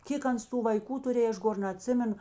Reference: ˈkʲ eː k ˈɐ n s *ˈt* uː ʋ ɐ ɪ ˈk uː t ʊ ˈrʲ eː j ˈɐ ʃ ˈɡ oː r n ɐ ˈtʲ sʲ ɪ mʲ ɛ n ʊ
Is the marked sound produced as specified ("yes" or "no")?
yes